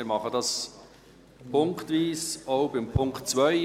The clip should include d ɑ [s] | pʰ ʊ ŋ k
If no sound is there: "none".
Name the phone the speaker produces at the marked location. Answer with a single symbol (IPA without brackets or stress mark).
s